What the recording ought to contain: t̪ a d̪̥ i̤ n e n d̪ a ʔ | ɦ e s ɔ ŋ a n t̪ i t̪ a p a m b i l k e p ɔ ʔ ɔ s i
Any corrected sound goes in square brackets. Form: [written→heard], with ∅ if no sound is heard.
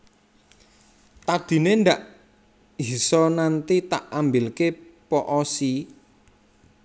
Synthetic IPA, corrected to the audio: t̪ a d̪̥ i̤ n e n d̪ a ʔ | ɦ [e→i] s ɔ [ŋ→n] a n t̪ i t̪ a [p→ʔ] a m b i l k e p ɔ ʔ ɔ s i

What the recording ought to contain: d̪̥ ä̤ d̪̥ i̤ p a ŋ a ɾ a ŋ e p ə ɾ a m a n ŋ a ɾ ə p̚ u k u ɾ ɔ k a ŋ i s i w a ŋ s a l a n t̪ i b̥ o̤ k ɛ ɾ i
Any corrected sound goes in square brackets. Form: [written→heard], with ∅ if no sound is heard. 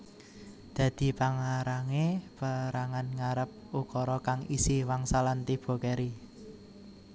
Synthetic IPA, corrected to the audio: d̪̥ ä̤ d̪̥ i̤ p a ŋ a ɾ a ŋ e p ə ɾ a [m→ŋ] a n ŋ a ɾ ə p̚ u k [u→ɔ] ɾ ɔ k a ŋ i s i w a ŋ s a l a n t̪ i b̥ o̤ k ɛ ɾ i

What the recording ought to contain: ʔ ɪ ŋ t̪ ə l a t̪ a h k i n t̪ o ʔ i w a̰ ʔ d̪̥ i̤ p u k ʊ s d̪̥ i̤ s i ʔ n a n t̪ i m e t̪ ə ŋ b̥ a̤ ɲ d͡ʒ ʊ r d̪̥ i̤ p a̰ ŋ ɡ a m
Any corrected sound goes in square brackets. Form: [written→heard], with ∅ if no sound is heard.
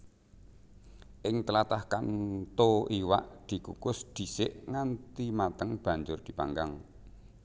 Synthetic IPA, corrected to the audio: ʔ ɪ ŋ t̪ ə l a t̪ a h k [i→a] n t̪ o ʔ i w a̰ ʔ d̪̥ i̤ [p→k] u k ʊ s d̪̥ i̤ s [i→ɪ] ʔ [n→ŋ] a n t̪ i m [e→a] t̪ ə ŋ b̥ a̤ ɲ d͡ʒ ʊ r d̪̥ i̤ p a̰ ŋ ɡ a [m→ŋ]

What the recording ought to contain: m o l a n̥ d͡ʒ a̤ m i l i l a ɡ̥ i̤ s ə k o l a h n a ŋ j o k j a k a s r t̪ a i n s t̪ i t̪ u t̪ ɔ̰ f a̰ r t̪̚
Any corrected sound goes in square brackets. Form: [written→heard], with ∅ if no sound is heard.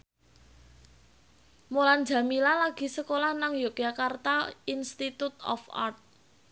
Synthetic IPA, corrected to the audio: m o l a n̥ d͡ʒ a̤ m i l [i→a] l a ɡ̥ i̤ s ə k o l a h n a ŋ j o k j a k a [s→∅] r t̪ a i n s t̪ i t̪ u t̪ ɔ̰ f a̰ r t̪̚

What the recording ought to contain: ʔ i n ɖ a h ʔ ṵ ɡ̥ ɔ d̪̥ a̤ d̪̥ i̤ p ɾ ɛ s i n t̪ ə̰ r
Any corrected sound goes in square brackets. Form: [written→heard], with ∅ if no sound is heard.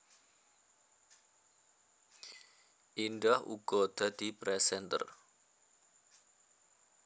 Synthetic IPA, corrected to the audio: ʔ i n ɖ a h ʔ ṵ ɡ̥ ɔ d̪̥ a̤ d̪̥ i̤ p ɾ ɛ s [i→ɛ] n t̪ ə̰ r

